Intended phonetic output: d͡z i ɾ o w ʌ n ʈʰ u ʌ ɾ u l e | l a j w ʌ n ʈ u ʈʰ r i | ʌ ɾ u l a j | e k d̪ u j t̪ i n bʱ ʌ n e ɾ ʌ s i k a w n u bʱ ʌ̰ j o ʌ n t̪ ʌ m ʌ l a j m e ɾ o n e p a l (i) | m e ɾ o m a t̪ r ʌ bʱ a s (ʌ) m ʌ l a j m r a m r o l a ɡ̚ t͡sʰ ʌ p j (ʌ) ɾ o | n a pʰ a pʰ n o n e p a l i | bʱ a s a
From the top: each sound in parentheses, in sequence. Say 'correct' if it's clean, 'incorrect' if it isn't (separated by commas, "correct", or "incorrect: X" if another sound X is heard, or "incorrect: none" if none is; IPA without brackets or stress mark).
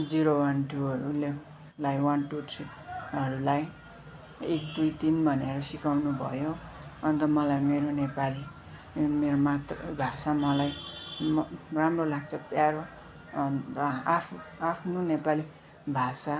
correct, incorrect: a, incorrect: a